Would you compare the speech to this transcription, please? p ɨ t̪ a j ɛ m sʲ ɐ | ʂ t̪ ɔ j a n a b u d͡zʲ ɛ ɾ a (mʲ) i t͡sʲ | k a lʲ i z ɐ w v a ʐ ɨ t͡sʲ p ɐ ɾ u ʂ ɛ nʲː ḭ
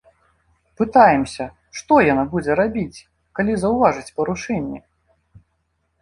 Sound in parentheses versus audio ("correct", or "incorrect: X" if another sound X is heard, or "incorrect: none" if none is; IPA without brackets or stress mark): incorrect: bʲ